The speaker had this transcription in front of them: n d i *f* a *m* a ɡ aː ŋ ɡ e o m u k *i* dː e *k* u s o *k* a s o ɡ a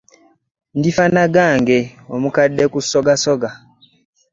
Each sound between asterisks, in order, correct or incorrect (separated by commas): correct, incorrect, incorrect, correct, incorrect